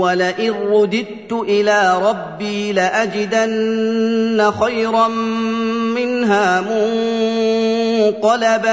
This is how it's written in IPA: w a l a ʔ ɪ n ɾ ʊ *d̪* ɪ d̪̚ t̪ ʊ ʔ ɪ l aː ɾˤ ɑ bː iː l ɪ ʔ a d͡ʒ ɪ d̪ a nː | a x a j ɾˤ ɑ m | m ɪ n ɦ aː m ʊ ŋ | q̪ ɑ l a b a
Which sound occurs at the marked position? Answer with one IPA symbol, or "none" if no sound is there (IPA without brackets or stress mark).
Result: d̪